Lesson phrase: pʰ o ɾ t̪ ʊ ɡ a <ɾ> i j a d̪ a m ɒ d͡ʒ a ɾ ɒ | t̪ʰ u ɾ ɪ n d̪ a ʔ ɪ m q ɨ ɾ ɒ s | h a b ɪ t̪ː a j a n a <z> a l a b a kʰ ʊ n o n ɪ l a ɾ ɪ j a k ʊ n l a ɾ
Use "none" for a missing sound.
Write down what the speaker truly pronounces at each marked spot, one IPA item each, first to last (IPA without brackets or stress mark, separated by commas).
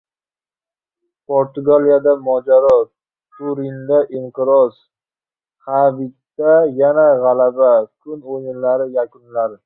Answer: l, ʁ